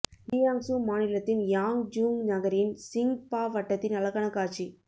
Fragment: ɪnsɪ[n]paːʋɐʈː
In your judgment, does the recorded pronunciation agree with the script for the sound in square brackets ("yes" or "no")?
no